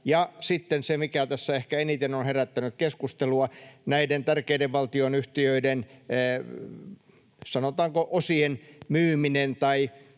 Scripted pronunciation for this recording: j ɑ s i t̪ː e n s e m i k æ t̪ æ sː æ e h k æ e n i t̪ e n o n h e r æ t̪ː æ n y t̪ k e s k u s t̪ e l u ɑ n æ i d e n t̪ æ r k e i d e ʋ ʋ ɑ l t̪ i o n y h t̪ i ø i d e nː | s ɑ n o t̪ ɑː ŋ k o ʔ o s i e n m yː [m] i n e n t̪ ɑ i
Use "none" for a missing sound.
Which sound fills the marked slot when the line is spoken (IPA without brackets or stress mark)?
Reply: m